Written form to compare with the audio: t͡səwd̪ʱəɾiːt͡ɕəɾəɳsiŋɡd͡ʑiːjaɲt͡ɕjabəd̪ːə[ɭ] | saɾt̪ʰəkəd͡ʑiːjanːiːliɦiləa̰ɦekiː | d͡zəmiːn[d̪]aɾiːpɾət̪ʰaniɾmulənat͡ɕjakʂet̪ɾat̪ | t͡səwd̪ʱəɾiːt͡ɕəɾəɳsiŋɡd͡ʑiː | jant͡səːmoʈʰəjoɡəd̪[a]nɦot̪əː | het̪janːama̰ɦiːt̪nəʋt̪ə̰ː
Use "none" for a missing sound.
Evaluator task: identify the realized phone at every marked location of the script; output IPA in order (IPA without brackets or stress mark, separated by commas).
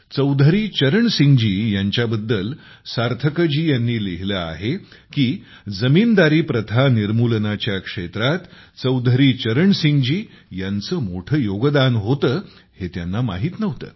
l, d̪, a